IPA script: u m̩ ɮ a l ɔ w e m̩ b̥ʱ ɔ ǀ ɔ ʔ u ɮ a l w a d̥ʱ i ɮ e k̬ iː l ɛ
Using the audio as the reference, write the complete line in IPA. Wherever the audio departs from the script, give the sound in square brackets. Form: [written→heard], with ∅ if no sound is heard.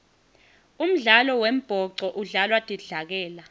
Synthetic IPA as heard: u m̩ ɮ a l ɔ w e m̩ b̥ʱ ɔ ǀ ɔ ʔ u ɮ a l w a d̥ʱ i ɮ [e→a] k̬ [iː→ɛː] l [ɛ→a]